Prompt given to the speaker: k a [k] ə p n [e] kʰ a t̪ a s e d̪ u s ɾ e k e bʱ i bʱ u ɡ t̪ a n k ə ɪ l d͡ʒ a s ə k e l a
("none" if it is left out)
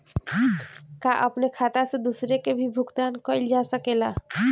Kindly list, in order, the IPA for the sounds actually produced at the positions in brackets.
ʔ, e

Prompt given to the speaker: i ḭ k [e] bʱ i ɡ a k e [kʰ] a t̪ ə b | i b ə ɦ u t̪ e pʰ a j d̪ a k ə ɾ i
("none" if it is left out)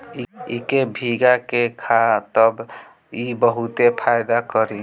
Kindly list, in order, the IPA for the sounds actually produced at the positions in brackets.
e, kʰ

